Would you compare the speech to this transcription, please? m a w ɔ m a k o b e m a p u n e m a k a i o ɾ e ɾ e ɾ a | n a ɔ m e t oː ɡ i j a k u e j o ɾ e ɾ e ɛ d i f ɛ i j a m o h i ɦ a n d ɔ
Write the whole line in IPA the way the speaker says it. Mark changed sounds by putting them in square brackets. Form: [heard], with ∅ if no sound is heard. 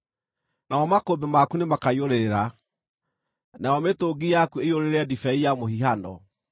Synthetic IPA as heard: [n] a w ɔ m a k o b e m a [k] u n e m a k a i o ɾ e ɾ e ɾ a | n a ɔ m e t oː ɡ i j a k u e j o ɾ e ɾ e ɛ d i f ɛ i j a m o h i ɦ a n d ɔ